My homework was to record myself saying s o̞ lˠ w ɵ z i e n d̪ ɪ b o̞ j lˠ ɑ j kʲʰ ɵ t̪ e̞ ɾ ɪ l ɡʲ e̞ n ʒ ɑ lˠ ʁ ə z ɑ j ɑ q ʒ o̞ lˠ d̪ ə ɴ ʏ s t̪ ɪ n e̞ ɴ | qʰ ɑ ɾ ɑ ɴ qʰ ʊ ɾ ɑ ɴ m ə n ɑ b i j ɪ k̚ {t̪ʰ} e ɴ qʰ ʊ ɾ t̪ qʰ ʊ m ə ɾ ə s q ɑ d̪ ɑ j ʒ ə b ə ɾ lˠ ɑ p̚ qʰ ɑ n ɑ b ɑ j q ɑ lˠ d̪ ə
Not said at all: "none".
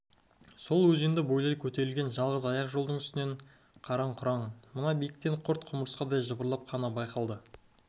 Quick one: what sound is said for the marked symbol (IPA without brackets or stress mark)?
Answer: t̪